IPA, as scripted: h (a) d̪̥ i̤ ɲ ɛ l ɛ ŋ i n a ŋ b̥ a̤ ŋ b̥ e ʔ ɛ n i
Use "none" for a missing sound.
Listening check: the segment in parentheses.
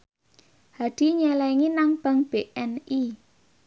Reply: a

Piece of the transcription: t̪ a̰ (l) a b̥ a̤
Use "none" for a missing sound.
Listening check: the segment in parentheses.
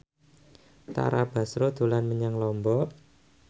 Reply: ɾ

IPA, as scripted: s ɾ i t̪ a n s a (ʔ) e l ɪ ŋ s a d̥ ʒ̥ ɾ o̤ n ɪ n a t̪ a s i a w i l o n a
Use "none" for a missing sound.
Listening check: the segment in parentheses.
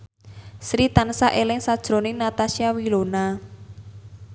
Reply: ʔ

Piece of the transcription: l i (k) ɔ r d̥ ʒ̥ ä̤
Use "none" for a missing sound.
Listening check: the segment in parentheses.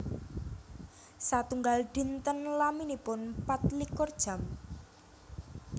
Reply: k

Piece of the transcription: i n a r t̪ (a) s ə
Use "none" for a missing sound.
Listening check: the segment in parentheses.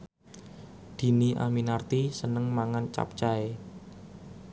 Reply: i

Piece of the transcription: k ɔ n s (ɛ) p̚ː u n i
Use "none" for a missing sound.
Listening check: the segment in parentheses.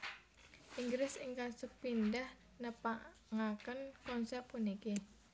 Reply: ɛ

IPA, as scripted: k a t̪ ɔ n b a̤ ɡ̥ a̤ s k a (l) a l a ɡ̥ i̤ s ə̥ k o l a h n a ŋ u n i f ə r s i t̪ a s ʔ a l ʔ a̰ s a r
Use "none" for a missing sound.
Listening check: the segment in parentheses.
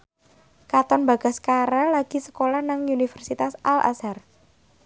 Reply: ɾ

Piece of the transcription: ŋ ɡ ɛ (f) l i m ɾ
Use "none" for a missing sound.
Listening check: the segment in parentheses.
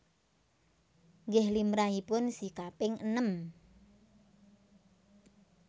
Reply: h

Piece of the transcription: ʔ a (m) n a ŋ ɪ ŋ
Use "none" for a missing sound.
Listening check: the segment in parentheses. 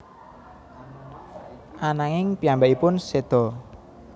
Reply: none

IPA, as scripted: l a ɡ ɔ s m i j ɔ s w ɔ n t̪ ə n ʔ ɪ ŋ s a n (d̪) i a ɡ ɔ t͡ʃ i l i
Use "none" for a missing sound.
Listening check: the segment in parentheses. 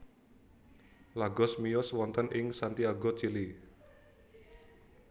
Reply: t̪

